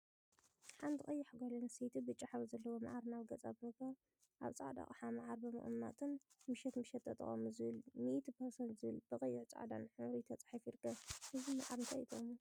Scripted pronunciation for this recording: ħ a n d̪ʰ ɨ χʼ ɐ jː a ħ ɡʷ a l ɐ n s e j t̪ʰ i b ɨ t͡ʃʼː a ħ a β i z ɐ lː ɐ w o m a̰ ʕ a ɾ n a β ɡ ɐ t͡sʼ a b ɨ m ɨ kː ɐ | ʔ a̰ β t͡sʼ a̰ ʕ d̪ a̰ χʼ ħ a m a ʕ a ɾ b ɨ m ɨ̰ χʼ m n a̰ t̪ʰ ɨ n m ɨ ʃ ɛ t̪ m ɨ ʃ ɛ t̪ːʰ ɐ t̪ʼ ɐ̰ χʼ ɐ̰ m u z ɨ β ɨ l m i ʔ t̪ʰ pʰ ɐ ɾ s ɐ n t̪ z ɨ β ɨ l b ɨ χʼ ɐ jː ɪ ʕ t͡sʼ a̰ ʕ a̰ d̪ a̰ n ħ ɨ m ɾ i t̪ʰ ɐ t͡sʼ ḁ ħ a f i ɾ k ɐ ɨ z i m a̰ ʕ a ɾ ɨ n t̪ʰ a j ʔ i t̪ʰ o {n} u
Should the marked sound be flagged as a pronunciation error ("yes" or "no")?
yes